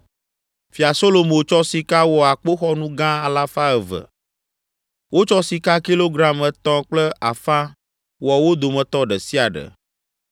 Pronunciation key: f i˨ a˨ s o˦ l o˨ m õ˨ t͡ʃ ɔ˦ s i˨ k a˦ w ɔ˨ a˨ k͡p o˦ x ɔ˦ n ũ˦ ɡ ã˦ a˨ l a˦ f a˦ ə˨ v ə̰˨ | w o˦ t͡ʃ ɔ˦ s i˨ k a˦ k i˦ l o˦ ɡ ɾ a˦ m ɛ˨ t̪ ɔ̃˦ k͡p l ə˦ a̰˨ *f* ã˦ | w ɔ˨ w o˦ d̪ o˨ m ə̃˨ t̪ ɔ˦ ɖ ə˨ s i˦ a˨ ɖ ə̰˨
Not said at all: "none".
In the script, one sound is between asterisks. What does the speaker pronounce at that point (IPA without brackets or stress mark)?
f